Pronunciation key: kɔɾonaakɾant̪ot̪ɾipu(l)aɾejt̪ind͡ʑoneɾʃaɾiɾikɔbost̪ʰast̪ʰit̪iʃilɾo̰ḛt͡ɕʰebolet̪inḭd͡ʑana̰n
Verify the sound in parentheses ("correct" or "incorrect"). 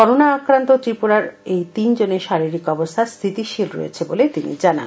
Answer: incorrect